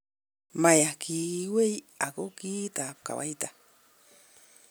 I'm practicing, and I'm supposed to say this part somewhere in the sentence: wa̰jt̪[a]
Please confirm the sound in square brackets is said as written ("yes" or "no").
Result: yes